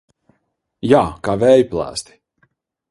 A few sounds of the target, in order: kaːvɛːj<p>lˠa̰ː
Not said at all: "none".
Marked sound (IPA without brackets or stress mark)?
p